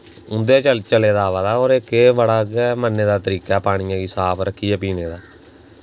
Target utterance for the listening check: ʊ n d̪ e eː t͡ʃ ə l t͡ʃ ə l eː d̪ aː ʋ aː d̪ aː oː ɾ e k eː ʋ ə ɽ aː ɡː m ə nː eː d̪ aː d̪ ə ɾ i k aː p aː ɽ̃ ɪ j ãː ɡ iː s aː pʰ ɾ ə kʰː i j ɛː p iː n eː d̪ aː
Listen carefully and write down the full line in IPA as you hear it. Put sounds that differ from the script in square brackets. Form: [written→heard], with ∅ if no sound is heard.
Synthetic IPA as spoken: ʊ n d̪ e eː t͡ʃ ə l t͡ʃ ə l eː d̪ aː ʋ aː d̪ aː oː ɾ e k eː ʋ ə ɽ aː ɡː m ə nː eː d̪ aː [d̪→t̪] ə ɾ [i→iː] k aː p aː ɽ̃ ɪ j ãː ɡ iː s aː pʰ ɾ ə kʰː i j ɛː p iː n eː d̪ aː